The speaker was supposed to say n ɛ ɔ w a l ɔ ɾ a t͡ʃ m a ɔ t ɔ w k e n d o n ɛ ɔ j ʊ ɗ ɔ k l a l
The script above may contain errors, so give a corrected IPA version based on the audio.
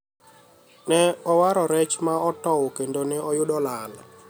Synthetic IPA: n ɛ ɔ w a ɾ ɔ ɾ ɛ t͡ʃ m a ɔ t ɔ w k e n d o n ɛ ɔ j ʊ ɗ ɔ l a l